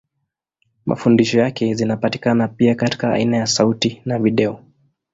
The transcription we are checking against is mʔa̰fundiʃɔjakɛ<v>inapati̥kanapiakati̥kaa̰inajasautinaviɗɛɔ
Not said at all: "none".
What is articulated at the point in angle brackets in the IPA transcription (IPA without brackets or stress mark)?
z